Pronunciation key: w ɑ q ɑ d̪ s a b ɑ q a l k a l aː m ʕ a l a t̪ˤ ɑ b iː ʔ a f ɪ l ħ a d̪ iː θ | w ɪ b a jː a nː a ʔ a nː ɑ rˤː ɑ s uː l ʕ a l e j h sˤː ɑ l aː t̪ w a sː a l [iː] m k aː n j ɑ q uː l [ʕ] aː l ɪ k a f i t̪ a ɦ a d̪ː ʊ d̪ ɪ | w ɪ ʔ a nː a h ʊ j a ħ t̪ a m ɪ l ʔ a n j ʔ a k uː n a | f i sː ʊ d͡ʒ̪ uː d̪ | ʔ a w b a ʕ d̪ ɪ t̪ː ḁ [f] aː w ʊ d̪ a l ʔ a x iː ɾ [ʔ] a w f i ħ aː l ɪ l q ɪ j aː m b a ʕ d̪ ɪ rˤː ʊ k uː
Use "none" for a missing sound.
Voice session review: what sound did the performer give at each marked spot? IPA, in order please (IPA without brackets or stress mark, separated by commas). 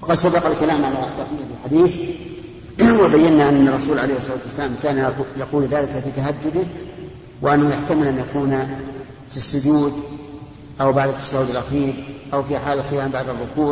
aː, ð, ʃ, ʔ